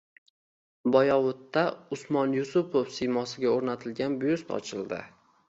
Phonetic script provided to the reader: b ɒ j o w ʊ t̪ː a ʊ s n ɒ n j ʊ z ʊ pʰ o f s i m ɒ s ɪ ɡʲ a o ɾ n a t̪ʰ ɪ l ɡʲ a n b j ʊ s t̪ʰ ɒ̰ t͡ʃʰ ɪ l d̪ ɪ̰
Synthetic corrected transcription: b ɒ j ɒ w ʊ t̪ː a ʊ s m ɒ n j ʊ s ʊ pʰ o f s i m ɒ s ɪ ɡʲ a o ɾ n a t̪ʰ ɪ l ɡʲ a n b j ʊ s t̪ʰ ɒ̰ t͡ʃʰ ɪ l d̪ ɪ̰